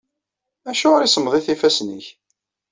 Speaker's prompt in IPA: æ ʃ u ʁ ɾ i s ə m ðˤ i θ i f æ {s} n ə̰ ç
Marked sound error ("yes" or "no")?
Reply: no